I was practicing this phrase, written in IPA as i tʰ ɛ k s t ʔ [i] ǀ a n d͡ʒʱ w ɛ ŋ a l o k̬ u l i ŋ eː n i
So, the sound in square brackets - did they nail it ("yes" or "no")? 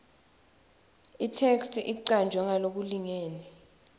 yes